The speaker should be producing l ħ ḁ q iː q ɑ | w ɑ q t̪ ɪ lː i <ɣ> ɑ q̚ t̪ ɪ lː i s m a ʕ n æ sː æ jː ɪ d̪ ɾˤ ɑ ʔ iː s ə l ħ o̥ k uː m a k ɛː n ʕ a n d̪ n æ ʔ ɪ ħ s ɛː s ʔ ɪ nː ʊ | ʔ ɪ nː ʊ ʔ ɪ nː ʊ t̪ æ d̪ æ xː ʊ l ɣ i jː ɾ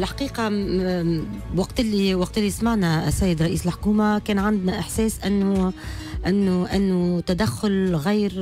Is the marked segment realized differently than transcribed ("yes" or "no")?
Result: yes